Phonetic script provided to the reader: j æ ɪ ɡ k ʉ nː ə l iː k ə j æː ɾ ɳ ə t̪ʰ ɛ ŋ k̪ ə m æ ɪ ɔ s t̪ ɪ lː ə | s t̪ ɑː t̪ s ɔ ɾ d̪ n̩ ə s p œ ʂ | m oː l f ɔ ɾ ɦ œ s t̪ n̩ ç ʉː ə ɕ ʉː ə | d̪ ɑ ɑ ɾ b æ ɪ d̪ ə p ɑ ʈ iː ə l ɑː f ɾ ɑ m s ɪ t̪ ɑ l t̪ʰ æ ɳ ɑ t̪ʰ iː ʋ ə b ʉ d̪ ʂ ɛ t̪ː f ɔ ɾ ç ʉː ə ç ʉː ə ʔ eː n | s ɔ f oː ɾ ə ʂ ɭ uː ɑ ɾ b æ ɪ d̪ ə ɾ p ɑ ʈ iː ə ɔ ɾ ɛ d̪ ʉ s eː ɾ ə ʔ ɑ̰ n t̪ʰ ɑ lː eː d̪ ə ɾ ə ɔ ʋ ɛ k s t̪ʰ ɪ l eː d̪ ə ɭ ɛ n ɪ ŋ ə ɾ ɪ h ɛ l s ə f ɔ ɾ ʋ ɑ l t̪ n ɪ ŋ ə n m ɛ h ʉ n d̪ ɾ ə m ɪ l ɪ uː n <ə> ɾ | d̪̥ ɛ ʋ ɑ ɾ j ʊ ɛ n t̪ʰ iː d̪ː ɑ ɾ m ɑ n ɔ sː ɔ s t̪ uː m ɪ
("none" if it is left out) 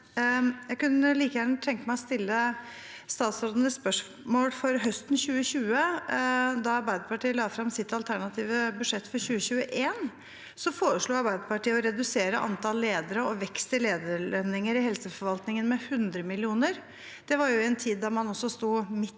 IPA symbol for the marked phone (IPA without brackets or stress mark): ə